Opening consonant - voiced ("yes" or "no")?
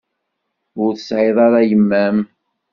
yes